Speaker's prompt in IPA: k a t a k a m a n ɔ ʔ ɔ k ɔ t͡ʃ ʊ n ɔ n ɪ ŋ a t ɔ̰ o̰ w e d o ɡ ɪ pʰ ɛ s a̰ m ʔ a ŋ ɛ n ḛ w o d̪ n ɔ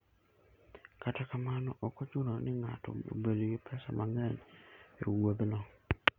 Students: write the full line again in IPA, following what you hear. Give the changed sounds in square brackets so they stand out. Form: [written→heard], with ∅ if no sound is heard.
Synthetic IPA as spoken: k a t a k a m a n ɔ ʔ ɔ k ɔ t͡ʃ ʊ n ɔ n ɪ ŋ a t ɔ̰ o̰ [w→b] e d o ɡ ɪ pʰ ɛ s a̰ m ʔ a ŋ ɛ n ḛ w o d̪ n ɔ